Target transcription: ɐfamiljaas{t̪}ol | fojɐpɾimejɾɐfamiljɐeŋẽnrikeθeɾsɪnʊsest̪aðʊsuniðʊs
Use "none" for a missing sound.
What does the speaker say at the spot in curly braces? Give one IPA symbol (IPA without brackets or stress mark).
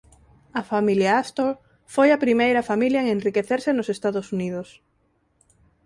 t̪